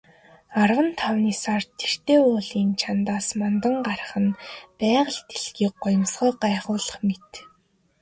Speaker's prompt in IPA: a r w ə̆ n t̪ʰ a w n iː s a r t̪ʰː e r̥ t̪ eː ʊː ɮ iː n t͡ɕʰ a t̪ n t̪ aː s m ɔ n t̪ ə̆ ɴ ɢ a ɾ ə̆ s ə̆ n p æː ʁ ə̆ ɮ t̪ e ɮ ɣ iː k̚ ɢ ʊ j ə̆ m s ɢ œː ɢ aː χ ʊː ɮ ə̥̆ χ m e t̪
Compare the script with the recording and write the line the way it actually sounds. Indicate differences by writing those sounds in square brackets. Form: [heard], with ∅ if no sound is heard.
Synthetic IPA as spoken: a r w ə̆ n t̪ʰ a w n iː s a r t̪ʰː e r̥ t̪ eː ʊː ɮ iː n t͡ɕʰ a [∅] n t̪ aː s m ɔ n t̪ ə̆ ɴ ɢ a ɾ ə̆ [χ] ə̆ n p æː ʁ ə̆ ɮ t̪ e ɮ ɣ iː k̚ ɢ ʊ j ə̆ m s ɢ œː ɢ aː χ ʊː ɮ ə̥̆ χ m e t̪

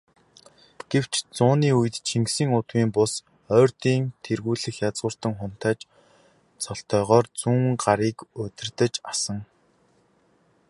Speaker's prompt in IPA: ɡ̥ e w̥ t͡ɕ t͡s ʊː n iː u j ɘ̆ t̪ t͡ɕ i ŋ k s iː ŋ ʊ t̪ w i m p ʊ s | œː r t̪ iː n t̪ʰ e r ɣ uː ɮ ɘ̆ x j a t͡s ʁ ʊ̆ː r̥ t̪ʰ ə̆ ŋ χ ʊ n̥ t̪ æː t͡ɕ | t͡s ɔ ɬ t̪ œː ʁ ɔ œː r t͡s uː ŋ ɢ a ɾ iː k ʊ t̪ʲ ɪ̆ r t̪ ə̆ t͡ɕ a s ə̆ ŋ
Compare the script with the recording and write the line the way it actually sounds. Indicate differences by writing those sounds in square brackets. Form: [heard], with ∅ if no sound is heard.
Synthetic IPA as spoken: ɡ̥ e w̥ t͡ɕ t͡s ʊː n iː u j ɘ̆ t̪ [t͡ɕʰ] i ŋ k s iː ŋ ʊ t̪ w [iː] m p ʊ s | œː r t̪ iː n t̪ʰ e r ɣ uː ɮ ɘ̆ x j a t͡s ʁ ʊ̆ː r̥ [t̪] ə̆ ŋ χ ʊ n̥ t̪ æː t͡ɕ | t͡s ɔ ɬ t̪ œː ʁ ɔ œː r t͡s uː ŋ ɢ a ɾ iː k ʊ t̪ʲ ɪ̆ r t̪ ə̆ t͡ɕ a s ə̆ ŋ

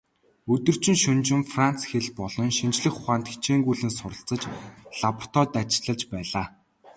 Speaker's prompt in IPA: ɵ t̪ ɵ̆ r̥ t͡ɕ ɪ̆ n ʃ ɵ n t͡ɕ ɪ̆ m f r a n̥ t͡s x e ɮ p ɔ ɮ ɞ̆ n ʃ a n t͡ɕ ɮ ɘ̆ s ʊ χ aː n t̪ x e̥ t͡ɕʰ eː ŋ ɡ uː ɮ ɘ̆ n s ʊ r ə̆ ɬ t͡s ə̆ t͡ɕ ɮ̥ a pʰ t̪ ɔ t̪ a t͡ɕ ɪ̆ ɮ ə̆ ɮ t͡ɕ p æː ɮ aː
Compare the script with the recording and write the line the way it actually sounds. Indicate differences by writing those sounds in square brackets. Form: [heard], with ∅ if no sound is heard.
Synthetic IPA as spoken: ɵ t̪ ɵ̆ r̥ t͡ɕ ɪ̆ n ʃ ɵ n t͡ɕ ɪ̆ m f r a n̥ t͡s x e ɮ p ɔ ɮ ɞ̆ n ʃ [i] n t͡ɕ ɮ ɘ̆ [x] ʊ χ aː n t̪ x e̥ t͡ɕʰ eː ŋ ɡ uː ɮ ɘ̆ n s ʊ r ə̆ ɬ t͡s ə̆ t͡ɕ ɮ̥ a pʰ t̪ ɔ t̪ a t͡ɕ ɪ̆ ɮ ə̆ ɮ t͡ɕ p æː ɮ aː

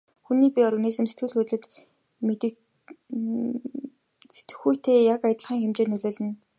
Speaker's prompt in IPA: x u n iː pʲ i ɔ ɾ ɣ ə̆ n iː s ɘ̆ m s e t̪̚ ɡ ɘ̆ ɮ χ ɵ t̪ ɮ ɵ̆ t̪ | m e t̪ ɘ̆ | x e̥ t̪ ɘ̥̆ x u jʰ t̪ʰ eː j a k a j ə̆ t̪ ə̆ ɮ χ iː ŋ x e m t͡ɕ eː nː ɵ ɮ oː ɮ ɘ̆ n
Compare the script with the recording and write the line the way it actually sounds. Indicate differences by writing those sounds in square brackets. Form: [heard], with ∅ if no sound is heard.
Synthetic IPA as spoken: x u n iː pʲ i ɔ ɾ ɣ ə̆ n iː s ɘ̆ m s e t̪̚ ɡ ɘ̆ ɮ [x] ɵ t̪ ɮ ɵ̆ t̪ | m e t̪ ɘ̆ | [s] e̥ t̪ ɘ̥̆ x u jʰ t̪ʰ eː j a k a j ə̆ t̪ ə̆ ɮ χ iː ŋ x e m t͡ɕ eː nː ɵ ɮ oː ɮ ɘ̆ n

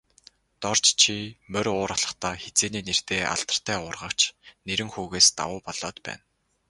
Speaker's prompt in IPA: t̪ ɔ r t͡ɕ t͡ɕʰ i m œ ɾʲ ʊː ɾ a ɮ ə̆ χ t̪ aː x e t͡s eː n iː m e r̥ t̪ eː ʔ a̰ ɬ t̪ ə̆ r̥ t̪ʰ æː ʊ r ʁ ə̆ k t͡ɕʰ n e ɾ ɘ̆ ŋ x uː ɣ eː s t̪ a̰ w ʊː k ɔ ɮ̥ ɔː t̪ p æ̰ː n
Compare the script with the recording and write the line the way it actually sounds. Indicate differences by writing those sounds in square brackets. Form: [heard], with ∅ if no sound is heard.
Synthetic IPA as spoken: t̪ ɔ r t͡ɕ t͡ɕʰ i m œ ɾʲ ʊː ɾ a ɮ ə̆ χ t̪ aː x e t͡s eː n iː [n] e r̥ t̪ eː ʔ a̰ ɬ t̪ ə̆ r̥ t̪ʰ æː ʊ r ʁ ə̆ k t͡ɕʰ n e ɾ ɘ̆ ŋ x uː ɣ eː s t̪ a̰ w ʊː [p] ɔ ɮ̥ ɔː t̪ p æ̰ː n

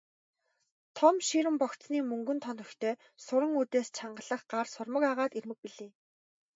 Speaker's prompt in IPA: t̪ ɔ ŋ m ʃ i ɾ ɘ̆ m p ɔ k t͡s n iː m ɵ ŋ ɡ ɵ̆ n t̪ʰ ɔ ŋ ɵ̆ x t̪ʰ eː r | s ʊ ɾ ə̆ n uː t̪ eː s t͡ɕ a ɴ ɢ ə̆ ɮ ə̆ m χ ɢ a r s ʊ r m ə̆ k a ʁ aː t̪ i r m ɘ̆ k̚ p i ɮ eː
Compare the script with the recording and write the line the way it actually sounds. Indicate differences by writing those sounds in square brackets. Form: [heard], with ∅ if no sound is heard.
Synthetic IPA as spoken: [t̪ʰ] ɔ [∅] m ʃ i ɾ ɘ̆ m p ɔ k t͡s n iː m ɵ ŋ ɡ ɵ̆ n t̪ʰ ɔ [n] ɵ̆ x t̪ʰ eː [∅] | s ʊ ɾ ə̆ [ŋ] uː t̪ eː s [t͡ɕʰ] a ɴ ɢ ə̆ ɮ ə̆ [∅] χ ɢ a r s ʊ r m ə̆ k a ʁ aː t̪ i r m ɘ̆ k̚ p i ɮ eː

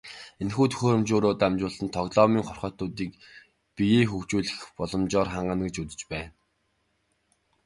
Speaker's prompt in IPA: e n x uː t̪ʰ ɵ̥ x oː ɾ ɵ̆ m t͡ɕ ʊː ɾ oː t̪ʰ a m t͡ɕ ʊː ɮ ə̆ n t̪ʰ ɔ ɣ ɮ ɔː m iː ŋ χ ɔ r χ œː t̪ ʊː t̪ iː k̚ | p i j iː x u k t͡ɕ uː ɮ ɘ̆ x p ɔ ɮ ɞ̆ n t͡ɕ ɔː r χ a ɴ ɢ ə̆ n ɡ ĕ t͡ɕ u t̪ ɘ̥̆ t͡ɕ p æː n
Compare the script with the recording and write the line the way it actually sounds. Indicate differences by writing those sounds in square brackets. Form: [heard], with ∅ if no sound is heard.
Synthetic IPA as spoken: e n x uː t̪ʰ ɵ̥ x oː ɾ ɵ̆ m t͡ɕ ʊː ɾ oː [t̪] a m t͡ɕ ʊː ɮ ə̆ n t̪ʰ ɔ ɣ ɮ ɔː m iː ŋ χ ɔ r χ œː t̪ ʊː t̪ iː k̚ | p i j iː x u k t͡ɕ uː ɮ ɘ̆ x p ɔ ɮ ɞ̆ [m] t͡ɕ ɔː r χ a ɴ ɢ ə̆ n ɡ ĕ t͡ɕ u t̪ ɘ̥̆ t͡ɕ p æː n

